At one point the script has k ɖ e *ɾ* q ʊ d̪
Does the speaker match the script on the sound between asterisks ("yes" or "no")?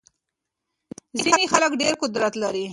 yes